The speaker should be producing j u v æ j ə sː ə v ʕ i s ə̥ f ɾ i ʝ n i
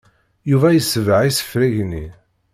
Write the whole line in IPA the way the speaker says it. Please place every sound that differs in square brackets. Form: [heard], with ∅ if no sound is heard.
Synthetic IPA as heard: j u v æ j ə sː ə v ʕ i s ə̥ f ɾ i ʝ n i